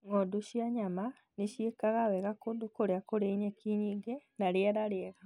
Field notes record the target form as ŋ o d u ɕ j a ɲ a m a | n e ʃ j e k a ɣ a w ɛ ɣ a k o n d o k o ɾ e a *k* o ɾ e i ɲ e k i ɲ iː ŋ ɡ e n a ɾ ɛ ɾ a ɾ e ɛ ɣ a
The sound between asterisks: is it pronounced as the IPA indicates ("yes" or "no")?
yes